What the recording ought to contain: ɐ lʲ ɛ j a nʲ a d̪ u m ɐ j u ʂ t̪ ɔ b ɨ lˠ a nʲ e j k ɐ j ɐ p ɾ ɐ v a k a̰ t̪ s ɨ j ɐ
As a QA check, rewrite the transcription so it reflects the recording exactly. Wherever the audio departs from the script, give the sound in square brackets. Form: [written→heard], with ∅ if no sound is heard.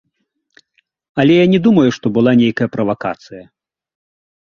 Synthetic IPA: ɐ lʲ ɛ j a nʲ [a→ɛ] d̪ u m ɐ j u ʂ t̪ ɔ b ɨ lˠ a nʲ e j k ɐ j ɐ p ɾ ɐ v a k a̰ t̪ s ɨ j ɐ